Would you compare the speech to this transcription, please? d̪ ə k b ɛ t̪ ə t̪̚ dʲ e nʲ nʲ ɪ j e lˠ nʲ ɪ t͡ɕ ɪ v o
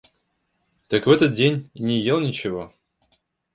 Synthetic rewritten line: t̪ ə k v ɛ t̪ ə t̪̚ dʲ e nʲ nʲ ɪ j e lˠ nʲ ɪ t͡ɕ ɪ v o